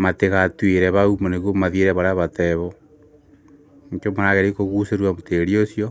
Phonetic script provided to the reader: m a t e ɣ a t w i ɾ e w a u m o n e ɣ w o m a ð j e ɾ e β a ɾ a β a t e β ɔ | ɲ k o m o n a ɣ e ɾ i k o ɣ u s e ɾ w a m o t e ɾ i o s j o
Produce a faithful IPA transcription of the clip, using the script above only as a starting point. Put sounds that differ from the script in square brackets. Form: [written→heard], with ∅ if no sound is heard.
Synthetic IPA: m a t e ɣ a t w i ɾ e [w→β] a u m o n e ɣ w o m a ð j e ɾ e β a ɾ a β a t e β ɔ | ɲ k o m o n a ɣ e ɾ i k o ɣ u s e ɾ w a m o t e ɾ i o s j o